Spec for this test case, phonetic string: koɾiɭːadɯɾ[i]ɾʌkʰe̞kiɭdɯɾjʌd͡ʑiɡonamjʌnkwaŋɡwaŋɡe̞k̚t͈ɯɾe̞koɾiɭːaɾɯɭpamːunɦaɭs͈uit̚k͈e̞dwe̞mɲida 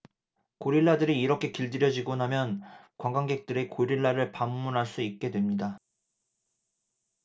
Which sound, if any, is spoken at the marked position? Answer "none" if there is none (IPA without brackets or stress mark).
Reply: iː